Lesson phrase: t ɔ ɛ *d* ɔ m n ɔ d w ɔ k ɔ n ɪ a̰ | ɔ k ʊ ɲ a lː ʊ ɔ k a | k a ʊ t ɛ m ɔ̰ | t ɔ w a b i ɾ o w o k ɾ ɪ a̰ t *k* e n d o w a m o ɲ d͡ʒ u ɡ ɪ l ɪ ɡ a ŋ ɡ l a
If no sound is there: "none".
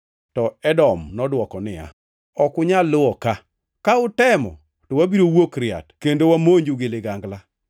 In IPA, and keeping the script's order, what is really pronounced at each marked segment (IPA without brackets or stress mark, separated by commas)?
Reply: d, k